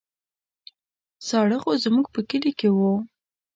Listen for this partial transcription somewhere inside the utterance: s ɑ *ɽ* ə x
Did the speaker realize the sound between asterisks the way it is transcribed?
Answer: yes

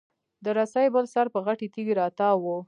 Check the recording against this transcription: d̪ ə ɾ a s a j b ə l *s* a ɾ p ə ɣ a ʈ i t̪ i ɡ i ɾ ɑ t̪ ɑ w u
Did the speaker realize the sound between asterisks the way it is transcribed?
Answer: yes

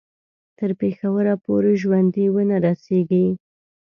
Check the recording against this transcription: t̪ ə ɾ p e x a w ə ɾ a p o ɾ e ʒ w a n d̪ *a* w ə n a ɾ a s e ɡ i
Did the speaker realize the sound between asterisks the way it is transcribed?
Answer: no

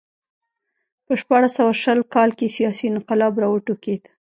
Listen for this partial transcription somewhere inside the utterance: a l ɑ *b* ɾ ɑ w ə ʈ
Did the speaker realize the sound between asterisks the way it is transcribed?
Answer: yes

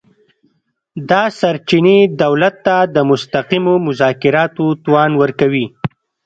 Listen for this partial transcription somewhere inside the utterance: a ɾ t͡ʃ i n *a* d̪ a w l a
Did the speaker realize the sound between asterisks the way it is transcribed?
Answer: no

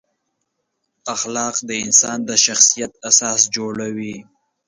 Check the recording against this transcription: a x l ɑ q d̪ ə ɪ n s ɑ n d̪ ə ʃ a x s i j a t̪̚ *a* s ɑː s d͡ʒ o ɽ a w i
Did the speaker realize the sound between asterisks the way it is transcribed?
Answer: yes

